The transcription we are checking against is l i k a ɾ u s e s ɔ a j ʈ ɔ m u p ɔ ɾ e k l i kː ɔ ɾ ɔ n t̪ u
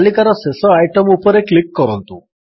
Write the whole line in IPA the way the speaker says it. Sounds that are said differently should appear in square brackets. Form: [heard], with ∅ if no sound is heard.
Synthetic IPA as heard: l i k a ɾ [ɔ] s e s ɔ a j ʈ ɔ m u p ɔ ɾ e k l i kː ɔ ɾ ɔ n t̪ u